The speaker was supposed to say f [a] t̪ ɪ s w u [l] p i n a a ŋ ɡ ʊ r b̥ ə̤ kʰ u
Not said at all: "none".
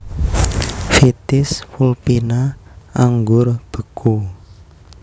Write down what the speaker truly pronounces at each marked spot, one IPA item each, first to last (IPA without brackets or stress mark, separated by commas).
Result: i, l